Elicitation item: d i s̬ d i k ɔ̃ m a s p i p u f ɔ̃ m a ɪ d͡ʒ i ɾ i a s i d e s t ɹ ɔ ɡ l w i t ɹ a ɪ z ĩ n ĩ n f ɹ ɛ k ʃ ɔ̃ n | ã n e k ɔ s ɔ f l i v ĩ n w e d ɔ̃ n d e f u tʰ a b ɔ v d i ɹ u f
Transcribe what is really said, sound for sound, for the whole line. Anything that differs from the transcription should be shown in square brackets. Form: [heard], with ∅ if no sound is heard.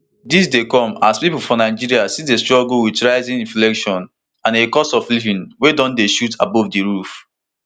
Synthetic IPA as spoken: d i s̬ d [e] k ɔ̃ m a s p i p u f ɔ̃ [n] a ɪ d͡ʒ i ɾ i a s i d e s t ɹ ɔ ɡ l w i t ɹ a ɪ z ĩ n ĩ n f [l] ɛ k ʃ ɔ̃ n | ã n e k ɔ s ɔ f l i v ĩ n w e d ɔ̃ n d e [ʃ] u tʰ a b ɔ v d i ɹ u f

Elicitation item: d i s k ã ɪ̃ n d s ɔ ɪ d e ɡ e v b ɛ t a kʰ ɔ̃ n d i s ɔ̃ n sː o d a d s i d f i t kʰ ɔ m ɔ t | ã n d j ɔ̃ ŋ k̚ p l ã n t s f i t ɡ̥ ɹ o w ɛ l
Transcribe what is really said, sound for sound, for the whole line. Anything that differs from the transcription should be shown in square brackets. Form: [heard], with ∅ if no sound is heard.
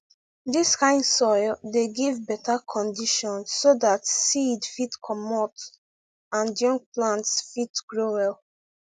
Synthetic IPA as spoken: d i s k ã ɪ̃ n d s ɔ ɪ d e ɡ [i] v b ɛ t a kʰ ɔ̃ n d i [ʃ] ɔ̃ n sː o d a [t] s i d f i t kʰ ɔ m ɔ t | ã n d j ɔ̃ ŋ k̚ p l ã n t s f i t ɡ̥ ɹ o w ɛ l

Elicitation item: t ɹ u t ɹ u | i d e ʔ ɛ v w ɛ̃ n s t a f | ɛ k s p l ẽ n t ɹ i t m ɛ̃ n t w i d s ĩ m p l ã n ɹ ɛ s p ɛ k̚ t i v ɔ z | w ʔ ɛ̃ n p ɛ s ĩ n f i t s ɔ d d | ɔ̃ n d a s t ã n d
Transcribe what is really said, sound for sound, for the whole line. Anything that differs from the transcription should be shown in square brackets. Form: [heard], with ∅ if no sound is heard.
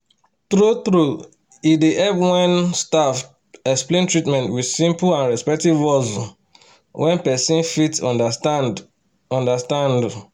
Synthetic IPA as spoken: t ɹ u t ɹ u | i d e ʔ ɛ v w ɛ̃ n s t a f | ɛ k s p l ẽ n t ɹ i t m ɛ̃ n t w i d s ĩ m p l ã n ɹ ɛ s p ɛ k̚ t i v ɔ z | w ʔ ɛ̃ n p ɛ s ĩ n f i t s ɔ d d | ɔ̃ n d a s t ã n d

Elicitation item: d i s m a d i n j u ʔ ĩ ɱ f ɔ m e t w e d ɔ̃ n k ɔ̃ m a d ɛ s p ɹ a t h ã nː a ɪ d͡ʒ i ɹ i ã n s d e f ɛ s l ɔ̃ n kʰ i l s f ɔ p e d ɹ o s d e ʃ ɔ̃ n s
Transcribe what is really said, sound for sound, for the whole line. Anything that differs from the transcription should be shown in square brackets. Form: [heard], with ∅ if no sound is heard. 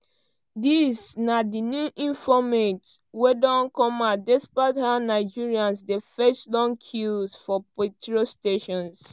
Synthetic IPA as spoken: d i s [n] a d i n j u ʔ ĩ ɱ f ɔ m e t w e d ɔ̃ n k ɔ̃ m a d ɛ s p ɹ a t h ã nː a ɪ d͡ʒ i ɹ i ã n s d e f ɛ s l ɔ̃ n kʰ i l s f ɔ p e [t] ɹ o s [t] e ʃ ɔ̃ n s

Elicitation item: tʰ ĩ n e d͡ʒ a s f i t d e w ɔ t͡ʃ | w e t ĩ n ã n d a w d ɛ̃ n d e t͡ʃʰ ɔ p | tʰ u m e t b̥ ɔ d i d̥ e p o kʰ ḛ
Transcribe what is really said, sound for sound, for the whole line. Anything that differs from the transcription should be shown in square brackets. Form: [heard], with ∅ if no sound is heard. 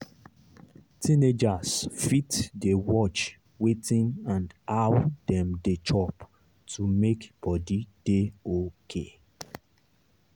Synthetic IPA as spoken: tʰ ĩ n e d͡ʒ a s f i t d e w ɔ t͡ʃ | w e t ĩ n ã n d a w d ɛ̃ [m] d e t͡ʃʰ ɔ p | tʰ u m e [k] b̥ ɔ d i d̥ e [∅] o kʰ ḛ

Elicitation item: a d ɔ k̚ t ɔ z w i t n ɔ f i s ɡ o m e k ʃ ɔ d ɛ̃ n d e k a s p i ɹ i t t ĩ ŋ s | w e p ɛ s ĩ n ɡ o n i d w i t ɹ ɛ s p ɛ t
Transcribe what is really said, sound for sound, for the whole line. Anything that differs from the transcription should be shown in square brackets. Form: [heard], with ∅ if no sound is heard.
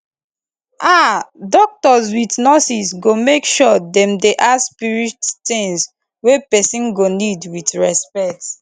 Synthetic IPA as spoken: a d ɔ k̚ t ɔ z w i t n ɔ [s] i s ɡ o m e k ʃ ɔ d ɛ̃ [m] d e [ʔ] a s p i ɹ i t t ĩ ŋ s | w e p ɛ s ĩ n ɡ o n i d w i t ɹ ɛ s p ɛ t

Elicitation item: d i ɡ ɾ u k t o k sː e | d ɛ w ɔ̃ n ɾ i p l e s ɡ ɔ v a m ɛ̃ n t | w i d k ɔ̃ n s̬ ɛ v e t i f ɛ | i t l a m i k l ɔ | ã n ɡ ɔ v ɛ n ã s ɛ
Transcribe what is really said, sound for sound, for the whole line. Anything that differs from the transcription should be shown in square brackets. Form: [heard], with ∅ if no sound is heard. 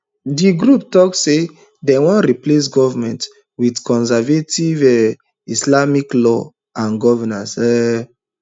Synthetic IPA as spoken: d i ɡ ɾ u [p] t [ɔ] k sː e | d ɛ w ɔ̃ n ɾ i p l e s ɡ ɔ v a m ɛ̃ n t | w i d k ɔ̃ n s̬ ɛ v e t i [v] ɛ | i [s] l a m i k l ɔ | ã n ɡ ɔ v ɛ n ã s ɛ

